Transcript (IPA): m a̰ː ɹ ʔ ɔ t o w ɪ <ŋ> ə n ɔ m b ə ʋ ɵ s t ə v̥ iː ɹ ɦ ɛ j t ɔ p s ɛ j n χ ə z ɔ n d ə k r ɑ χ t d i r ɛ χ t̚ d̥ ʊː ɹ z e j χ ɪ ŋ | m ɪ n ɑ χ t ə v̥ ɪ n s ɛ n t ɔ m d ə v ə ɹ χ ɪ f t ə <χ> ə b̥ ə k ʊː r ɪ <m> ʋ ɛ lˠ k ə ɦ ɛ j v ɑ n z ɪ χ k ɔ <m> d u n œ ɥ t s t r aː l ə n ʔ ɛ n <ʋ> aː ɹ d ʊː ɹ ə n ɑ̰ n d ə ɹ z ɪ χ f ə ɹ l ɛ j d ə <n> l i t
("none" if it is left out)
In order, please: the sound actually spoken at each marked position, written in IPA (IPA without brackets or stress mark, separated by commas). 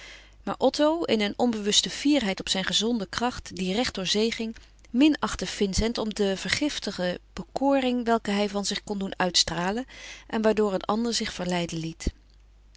n, χ, ŋ, n, ʋ, n